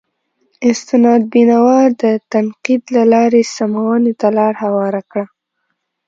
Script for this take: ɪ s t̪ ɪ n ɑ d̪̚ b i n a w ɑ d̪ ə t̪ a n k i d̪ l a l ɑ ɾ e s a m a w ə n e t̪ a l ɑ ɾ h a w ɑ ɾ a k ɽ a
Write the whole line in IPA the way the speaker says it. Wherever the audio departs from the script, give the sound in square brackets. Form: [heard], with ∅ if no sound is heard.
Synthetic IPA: ɪ s t̪ ɪ n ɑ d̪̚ b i n a w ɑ d̪ ə t̪ a n [q] i d̪ l a l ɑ ɾ e s a m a w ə n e t̪ a l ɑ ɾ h a w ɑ ɾ a k ɽ a